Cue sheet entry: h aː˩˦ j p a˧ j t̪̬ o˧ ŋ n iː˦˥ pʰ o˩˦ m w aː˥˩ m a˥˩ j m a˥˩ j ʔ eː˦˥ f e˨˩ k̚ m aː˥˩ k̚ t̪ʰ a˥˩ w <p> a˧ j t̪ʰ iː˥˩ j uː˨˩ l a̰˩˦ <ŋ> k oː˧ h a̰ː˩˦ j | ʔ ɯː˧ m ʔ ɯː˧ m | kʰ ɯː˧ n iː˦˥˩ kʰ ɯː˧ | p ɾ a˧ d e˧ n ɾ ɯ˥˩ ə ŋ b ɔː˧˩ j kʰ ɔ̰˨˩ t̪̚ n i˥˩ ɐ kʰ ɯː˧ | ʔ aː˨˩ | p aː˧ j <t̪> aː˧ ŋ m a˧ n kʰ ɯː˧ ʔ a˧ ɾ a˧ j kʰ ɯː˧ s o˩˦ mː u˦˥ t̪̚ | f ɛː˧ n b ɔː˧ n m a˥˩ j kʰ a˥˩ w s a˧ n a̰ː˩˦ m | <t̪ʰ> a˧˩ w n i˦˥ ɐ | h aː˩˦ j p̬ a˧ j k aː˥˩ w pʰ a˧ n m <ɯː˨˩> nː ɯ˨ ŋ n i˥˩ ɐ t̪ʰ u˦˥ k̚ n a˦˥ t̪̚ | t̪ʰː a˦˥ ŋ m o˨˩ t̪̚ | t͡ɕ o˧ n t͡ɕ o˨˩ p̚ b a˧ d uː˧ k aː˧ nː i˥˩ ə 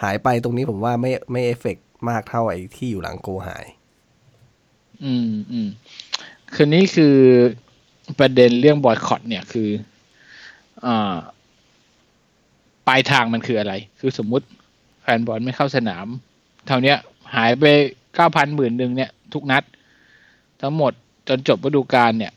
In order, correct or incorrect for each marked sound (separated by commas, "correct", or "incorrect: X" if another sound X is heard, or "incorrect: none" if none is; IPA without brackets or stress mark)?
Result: incorrect: ʔ, correct, incorrect: t̪ʰ, correct, correct